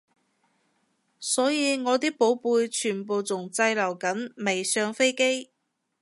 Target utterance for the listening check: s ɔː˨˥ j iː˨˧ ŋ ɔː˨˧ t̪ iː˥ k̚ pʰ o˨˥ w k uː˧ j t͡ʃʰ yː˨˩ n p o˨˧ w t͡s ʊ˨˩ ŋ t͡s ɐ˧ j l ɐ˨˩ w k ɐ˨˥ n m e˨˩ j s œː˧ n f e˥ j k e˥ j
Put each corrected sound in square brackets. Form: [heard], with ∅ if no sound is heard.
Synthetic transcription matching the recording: s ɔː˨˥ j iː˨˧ ŋ ɔː˨˧ t̪ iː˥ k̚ [p] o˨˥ w [p] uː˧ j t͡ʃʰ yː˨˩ n p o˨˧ w t͡s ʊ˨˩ ŋ t͡s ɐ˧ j l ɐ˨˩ w k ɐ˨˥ n m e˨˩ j s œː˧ [ŋ] f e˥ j k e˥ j